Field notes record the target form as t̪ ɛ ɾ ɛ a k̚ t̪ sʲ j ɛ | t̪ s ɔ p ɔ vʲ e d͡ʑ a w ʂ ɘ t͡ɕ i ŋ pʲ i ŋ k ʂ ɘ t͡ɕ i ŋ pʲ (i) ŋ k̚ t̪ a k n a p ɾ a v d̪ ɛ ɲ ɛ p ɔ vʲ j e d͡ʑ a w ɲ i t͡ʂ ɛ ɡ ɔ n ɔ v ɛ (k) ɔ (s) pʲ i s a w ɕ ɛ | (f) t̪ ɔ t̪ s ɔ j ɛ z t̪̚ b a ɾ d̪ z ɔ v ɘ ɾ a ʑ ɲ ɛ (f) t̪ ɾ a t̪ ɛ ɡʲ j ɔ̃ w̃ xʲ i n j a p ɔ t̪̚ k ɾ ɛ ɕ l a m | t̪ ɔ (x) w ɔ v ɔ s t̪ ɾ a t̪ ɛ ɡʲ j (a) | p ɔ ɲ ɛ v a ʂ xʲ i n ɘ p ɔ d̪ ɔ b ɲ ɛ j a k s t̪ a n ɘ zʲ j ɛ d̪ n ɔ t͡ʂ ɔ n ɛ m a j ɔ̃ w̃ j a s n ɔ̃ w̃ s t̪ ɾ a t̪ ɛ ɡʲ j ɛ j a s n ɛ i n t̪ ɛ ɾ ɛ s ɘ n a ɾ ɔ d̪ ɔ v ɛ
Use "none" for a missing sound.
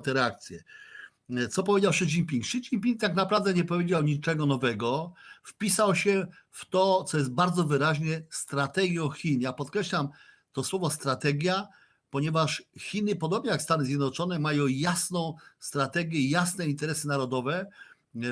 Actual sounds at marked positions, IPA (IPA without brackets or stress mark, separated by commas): i, ɡ, f, f, s, s, a